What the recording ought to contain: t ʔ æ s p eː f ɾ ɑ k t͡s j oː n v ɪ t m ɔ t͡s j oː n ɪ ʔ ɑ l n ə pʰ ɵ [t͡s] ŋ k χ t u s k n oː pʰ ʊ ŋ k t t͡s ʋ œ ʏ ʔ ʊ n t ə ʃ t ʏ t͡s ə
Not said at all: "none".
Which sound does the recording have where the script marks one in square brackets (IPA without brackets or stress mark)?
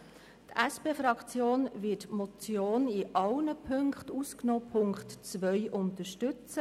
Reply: none